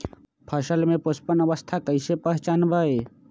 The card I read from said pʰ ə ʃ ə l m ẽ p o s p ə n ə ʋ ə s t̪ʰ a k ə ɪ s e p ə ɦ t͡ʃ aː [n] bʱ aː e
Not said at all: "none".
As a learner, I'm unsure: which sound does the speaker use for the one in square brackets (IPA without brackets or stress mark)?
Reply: n